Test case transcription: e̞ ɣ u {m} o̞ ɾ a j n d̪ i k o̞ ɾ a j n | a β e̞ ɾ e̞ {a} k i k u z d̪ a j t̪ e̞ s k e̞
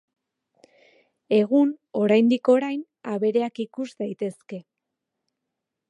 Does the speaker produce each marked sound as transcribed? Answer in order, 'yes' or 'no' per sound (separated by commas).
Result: no, yes